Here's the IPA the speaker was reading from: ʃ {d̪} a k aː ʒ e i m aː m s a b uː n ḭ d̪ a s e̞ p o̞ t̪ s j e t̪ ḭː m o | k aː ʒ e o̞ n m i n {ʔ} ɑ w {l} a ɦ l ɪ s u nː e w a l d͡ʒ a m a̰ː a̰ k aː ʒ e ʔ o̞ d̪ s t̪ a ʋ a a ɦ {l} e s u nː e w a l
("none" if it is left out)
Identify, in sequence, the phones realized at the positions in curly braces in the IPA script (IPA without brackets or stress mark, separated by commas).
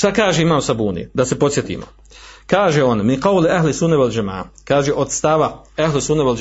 t̪, q, l, l